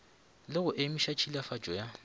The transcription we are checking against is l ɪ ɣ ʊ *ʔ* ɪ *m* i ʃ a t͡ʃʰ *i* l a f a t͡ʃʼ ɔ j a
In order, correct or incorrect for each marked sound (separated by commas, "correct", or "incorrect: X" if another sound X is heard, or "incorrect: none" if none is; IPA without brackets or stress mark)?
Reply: correct, correct, correct